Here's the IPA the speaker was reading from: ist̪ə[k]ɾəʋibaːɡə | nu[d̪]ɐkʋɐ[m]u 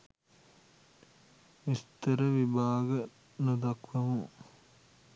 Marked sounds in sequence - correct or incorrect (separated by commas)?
incorrect, correct, correct